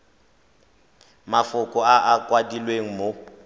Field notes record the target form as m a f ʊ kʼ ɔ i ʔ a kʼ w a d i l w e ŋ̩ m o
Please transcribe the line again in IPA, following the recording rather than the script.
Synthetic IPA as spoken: m a f ʊ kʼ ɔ a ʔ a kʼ w a d i l w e ŋ̩ m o